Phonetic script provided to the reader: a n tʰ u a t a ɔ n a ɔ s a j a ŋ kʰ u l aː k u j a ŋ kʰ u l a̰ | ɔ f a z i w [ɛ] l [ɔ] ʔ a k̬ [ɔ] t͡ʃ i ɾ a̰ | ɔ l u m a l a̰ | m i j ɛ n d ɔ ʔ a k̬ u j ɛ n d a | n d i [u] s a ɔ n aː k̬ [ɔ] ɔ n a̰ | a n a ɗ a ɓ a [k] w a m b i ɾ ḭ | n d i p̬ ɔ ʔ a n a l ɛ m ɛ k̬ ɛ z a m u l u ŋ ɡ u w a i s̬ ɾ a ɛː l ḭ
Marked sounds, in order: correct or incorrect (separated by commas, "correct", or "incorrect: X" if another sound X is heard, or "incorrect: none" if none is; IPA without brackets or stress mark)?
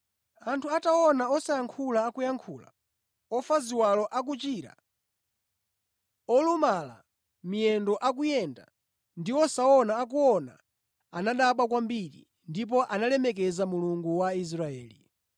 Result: incorrect: a, correct, incorrect: u, incorrect: ɔ, incorrect: u, correct